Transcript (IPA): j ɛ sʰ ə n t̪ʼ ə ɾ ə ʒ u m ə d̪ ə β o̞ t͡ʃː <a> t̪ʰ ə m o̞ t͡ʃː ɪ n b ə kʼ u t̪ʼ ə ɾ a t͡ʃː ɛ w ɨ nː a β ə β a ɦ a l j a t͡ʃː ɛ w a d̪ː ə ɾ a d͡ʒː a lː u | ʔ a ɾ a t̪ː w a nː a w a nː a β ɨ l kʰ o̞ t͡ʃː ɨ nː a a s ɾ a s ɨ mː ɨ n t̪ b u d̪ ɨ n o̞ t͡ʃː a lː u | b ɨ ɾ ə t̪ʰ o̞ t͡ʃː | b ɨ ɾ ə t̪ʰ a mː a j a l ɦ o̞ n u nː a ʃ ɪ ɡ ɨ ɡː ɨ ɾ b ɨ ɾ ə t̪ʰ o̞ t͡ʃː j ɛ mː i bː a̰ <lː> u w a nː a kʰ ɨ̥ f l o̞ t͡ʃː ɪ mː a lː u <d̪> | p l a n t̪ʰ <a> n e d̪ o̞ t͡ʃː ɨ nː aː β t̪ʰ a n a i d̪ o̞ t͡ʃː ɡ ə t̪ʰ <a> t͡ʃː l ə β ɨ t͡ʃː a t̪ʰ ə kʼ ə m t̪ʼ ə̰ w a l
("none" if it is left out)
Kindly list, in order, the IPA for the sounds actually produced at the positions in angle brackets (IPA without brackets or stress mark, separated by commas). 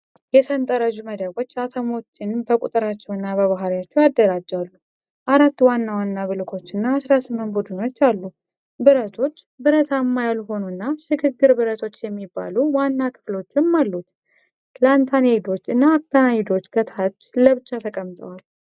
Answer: a, l, t̪, a, a